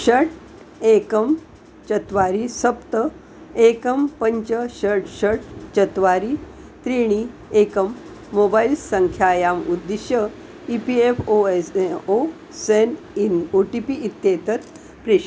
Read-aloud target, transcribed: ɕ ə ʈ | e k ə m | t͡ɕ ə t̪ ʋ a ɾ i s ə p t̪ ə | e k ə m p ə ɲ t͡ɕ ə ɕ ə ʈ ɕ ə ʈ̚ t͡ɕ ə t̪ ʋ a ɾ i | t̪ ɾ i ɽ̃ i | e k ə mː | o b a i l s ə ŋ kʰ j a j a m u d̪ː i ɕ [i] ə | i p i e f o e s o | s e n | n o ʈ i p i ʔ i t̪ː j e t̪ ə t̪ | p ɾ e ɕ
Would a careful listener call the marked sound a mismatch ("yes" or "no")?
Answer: yes